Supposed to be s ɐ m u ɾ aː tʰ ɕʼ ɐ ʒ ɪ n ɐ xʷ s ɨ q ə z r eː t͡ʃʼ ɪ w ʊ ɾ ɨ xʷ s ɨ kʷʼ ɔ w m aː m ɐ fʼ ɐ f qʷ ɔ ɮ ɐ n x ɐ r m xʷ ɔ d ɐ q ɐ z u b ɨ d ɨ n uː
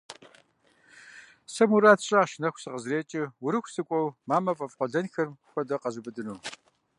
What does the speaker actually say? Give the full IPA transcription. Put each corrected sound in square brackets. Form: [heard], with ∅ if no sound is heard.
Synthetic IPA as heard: s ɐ m u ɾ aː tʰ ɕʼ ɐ [ʃ] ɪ n ɐ xʷ s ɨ q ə z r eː t͡ʃʼ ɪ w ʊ ɾ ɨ xʷ s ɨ kʷʼ ɔ w m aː m ɐ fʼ ɐ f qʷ ɔ ɮ ɐ n x ɐ r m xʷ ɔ d ɐ q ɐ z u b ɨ d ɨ n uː